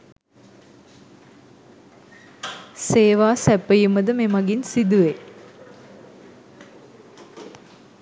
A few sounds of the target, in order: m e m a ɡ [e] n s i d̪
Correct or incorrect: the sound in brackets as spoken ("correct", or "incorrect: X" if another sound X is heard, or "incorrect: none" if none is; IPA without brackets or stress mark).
incorrect: i